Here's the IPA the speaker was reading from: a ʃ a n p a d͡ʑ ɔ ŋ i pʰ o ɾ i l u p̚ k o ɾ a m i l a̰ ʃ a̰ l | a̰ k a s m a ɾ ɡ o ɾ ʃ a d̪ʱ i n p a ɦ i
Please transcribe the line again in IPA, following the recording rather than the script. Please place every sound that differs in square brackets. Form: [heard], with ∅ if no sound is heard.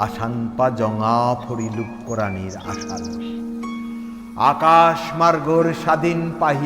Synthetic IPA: a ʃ a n p a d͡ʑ ɔ ŋ [a] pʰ o ɾ i l u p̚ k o ɾ a [n] i [ɾ] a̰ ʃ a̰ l | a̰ k a [ʃ] m a ɾ ɡ o ɾ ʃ a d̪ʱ i n p a ɦ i